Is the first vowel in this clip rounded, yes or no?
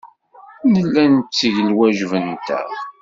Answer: no